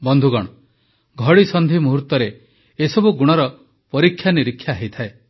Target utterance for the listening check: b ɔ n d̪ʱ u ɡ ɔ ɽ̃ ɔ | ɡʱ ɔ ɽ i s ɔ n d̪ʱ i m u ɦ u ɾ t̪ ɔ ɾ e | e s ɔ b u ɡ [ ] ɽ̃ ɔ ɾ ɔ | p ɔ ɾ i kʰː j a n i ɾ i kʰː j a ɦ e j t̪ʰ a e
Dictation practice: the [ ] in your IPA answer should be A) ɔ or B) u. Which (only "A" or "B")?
B